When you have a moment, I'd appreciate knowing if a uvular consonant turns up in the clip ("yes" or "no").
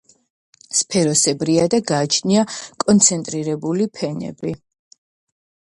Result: no